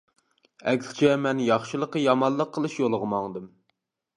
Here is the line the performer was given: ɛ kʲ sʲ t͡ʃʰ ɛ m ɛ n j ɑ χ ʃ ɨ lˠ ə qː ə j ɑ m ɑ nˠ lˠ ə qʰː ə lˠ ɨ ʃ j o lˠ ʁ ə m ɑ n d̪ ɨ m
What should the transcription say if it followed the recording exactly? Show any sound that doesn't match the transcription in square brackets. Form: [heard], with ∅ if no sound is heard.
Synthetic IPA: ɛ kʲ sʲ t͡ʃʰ ɛ m ɛ n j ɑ χ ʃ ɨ lˠ ə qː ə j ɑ m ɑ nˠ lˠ ə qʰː ə lˠ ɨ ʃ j o lˠ ʁ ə m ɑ [ŋ] d̪ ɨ m